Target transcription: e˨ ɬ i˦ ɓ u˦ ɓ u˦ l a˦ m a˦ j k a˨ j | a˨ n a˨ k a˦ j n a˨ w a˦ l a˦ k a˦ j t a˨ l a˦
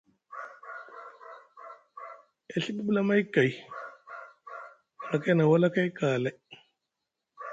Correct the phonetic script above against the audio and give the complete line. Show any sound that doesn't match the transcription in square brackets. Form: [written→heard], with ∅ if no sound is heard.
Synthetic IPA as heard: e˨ ɬ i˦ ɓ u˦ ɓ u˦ l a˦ m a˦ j k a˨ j | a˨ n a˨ k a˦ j n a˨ w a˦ l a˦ k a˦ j [t→k] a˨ l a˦